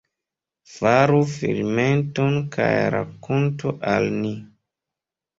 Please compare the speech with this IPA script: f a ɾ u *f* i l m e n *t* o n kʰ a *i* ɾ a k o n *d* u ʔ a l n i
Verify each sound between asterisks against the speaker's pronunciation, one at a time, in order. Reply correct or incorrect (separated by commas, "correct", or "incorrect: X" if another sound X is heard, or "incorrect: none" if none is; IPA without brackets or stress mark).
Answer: correct, correct, incorrect: j, incorrect: t